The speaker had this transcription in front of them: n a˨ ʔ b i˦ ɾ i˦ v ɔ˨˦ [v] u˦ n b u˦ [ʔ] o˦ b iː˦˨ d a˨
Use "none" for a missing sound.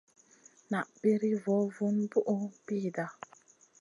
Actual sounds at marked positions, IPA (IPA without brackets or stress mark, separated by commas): v, ʔ